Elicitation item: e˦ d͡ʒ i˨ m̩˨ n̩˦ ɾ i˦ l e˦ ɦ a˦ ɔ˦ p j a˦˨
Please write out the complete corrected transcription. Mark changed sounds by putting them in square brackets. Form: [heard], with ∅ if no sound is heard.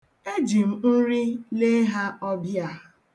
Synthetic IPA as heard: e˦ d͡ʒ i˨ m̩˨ n̩˦ ɾ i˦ l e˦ ɦ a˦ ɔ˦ [b] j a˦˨

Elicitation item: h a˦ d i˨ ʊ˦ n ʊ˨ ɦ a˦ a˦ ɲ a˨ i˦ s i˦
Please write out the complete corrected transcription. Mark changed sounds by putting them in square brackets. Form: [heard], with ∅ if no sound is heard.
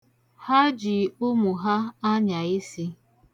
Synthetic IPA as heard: h a˦ [d͡ʒ] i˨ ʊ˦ [m] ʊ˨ ɦ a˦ a˦ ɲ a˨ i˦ s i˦

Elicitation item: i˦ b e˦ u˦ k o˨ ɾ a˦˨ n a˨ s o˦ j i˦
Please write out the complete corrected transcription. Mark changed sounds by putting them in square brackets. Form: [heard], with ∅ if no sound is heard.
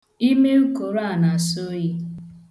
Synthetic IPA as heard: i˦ [m] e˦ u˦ k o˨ ɾ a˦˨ n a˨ s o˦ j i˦

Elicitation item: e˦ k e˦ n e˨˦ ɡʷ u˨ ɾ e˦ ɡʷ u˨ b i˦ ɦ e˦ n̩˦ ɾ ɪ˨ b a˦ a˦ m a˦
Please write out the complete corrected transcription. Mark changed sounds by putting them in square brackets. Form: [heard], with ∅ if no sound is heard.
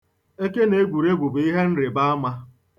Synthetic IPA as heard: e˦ k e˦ n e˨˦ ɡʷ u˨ ɾ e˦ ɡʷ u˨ b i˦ ɦ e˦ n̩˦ ɾ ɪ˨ b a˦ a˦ m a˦

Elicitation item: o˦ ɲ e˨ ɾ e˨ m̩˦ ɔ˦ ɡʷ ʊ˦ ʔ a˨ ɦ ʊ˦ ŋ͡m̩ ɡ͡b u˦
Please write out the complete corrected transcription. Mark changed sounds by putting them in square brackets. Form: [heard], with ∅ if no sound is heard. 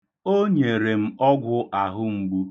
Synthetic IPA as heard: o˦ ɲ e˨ ɾ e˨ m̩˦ ɔ˦ ɡʷ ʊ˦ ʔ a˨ ɦ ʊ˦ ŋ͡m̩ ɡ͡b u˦

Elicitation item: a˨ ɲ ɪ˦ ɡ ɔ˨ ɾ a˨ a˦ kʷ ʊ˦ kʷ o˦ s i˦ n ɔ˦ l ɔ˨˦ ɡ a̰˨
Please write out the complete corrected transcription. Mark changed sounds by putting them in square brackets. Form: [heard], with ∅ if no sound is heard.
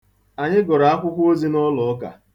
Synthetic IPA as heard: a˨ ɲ ɪ˦ ɡ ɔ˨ ɾ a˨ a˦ kʷ ʊ˦ kʷ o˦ [z] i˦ n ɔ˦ l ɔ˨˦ [k] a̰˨

